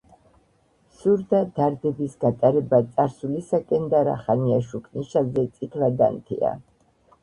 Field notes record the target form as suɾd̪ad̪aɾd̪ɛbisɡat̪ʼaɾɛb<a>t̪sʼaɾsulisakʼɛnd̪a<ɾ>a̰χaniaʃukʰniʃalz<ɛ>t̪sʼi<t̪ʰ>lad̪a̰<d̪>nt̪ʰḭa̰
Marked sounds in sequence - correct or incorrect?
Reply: correct, correct, correct, correct, incorrect: none

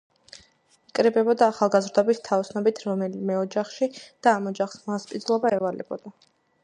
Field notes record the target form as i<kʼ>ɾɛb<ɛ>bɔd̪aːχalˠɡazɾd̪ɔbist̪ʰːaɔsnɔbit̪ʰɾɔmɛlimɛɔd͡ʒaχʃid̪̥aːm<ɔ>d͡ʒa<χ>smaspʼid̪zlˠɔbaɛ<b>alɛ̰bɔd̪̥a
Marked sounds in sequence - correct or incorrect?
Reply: correct, correct, correct, correct, incorrect: v

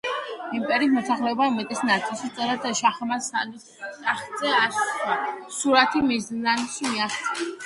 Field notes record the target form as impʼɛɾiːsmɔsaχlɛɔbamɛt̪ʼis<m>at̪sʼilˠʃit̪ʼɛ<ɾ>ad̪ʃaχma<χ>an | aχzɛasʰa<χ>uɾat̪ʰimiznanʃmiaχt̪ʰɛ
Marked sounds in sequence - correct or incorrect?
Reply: incorrect: n, correct, incorrect: s, incorrect: s

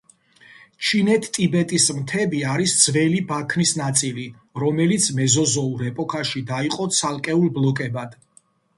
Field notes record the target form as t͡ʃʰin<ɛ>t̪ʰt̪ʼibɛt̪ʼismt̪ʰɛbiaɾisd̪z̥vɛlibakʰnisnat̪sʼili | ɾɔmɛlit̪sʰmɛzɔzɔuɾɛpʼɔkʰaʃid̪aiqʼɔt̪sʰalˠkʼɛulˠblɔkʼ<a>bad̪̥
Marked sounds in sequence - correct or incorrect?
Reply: correct, incorrect: ɛ

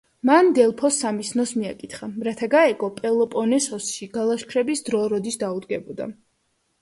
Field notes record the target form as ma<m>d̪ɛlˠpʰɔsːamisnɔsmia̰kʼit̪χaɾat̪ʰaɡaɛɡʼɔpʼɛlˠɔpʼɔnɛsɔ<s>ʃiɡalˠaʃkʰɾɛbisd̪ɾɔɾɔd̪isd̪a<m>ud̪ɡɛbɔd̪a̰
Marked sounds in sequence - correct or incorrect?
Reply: incorrect: n, correct, incorrect: none

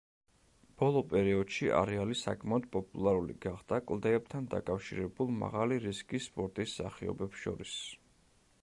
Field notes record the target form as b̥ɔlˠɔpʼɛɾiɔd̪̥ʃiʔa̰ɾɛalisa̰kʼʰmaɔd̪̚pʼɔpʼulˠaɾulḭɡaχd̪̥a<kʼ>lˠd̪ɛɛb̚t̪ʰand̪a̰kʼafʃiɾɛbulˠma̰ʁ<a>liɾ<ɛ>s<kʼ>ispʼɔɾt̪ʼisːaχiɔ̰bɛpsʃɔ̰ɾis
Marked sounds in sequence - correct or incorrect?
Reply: correct, correct, incorrect: i, correct

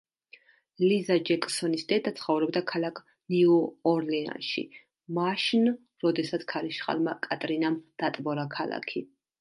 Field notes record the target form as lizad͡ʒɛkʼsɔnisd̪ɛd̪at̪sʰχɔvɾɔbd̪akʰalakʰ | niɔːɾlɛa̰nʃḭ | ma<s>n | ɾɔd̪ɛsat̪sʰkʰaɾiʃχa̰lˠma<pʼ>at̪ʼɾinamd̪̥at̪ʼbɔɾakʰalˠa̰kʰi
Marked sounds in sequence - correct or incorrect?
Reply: incorrect: ʃ, incorrect: kʼ

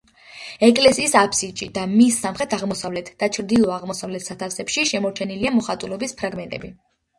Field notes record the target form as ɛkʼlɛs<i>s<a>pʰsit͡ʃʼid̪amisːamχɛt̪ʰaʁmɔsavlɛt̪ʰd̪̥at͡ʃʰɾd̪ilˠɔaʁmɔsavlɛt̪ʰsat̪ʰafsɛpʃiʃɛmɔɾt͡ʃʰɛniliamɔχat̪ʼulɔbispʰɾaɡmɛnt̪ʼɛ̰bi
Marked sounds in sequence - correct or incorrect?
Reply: incorrect: iː, correct

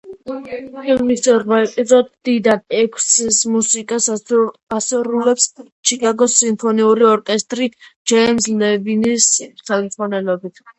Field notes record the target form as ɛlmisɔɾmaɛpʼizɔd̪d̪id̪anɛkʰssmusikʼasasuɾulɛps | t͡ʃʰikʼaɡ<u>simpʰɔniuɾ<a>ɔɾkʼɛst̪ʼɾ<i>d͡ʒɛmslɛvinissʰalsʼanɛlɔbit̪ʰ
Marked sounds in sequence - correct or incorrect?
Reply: incorrect: ɔ, incorrect: i, correct

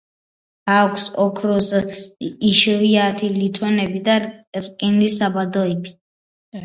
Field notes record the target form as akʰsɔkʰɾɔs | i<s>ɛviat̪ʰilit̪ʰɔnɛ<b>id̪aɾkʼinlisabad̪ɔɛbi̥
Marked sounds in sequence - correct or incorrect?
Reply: incorrect: ʃ, correct

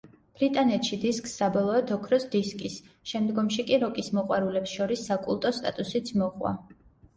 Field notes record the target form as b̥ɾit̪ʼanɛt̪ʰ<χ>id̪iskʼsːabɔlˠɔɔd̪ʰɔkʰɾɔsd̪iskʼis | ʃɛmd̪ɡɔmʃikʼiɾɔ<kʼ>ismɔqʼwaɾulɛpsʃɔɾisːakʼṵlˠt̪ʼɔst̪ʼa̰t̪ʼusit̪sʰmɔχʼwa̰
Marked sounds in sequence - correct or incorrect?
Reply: incorrect: ʃ, correct

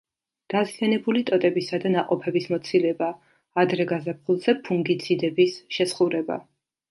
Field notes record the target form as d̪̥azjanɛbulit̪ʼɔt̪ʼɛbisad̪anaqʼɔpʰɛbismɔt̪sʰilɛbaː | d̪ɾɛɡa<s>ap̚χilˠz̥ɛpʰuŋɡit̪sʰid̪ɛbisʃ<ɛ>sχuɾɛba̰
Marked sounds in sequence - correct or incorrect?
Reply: incorrect: z, correct

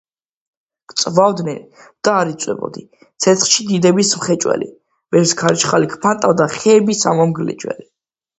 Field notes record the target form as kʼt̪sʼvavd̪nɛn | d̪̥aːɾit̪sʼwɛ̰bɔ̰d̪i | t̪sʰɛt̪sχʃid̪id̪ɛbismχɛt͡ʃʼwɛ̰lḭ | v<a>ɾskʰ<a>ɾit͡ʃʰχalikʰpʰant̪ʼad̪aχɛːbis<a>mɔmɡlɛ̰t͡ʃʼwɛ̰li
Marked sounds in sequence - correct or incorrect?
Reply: incorrect: ɛ, correct, correct

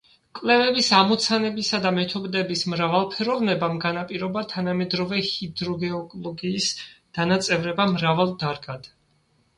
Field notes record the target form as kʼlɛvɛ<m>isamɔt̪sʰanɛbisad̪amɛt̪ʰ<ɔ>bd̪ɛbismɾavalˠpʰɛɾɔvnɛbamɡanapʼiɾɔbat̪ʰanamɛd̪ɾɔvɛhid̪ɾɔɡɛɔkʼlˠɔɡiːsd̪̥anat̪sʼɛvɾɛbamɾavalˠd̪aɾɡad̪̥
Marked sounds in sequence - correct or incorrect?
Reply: incorrect: b, correct

